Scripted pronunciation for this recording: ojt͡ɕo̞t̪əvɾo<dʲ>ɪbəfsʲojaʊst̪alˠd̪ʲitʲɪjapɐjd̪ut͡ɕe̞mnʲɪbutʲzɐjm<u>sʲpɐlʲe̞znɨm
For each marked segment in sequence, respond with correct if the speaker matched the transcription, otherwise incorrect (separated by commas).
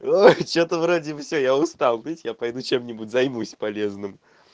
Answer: correct, correct